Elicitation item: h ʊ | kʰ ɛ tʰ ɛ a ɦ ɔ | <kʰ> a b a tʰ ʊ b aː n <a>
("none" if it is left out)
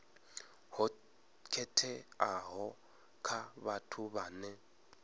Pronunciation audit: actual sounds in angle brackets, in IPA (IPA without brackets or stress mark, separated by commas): kʰ, ɛ